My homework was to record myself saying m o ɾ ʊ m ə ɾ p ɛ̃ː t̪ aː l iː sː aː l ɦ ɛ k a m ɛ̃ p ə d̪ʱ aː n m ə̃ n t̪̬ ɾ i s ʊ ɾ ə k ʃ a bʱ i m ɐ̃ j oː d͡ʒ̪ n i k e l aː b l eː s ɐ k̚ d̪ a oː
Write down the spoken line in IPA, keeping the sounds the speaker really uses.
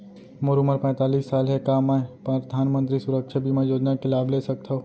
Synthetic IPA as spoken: m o ɾ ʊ m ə ɾ p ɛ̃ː t̪ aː l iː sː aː l ɦ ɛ k a m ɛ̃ p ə d̪ʱ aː n m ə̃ n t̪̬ ɾ i s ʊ ɾ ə k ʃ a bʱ i m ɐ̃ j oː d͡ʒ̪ n a k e l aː b l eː s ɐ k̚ t̪ a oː